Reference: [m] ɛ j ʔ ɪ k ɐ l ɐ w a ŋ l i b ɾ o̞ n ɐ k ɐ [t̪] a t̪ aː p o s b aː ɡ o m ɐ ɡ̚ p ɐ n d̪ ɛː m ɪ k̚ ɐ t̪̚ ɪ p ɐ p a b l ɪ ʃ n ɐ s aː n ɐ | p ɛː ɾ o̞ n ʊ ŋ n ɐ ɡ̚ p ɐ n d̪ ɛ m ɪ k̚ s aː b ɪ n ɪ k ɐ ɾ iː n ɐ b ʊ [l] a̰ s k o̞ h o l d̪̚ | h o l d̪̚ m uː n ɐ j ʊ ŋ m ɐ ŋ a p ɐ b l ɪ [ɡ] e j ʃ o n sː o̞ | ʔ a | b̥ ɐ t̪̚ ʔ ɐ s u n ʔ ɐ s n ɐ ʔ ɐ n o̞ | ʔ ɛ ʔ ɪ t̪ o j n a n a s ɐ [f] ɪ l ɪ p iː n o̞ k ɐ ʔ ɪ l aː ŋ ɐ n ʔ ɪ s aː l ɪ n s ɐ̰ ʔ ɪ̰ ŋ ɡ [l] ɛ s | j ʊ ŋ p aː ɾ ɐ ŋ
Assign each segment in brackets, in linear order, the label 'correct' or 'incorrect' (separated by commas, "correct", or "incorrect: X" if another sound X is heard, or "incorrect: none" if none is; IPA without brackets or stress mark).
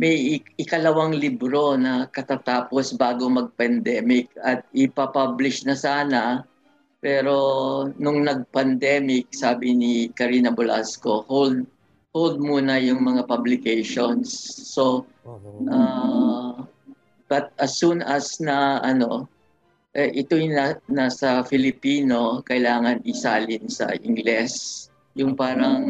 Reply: correct, correct, correct, incorrect: k, correct, correct